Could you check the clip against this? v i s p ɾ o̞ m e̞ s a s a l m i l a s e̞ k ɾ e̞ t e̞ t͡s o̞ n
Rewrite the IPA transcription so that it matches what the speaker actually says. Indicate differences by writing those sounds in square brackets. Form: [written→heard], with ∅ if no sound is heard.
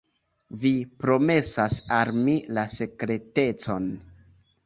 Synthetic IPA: v i [s→∅] p ɾ o̞ m e̞ s a s a l m i l a s e̞ k ɾ e̞ t e̞ t͡s o̞ n